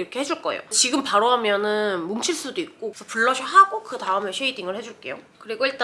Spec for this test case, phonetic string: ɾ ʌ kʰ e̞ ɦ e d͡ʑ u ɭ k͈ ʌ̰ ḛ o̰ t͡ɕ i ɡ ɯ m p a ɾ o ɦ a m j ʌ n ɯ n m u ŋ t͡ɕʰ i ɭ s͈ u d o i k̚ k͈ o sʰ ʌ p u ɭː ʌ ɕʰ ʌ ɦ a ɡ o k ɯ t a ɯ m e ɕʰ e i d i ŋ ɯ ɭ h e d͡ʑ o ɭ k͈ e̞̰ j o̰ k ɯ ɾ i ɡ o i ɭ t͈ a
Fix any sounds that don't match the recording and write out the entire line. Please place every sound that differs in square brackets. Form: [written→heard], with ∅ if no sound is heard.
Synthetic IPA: ɾ ʌ kʰ e̞ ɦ e d͡ʑ u ɭ k͈ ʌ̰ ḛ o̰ t͡ɕ i ɡ ɯ m p a ɾ o ɦ a m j ʌ n ɯ n m u ŋ t͡ɕʰ i ɭ s͈ u d o i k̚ k͈ o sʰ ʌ p u ɭː ʌ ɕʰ ʌ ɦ a ɡ o k ɯ t a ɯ m e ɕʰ e i d i ŋ ɯ ɭ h e d͡ʑ [o→u] ɭ k͈ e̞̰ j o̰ k ɯ ɾ i ɡ o i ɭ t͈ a